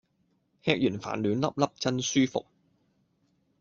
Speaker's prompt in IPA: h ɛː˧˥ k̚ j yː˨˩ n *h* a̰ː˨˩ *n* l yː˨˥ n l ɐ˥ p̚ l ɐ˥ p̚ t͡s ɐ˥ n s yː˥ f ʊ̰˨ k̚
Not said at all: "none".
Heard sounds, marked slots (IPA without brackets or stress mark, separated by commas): f, n